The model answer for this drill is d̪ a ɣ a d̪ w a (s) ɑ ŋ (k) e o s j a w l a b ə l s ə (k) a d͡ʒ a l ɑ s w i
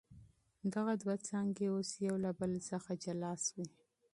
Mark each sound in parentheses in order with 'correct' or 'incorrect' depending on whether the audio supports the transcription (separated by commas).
incorrect, incorrect, incorrect